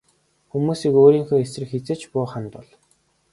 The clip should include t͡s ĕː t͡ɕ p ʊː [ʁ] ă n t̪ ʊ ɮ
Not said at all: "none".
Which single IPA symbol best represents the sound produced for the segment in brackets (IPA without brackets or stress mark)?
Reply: χ